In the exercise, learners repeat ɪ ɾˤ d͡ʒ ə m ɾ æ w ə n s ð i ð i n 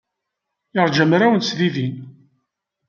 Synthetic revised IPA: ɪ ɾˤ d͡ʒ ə m ɾ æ w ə n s ð i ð i n